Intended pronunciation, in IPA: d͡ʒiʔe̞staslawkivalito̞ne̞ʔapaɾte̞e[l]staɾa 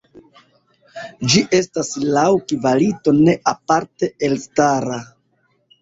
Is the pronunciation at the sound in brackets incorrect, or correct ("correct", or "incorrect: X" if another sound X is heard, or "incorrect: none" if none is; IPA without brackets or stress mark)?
correct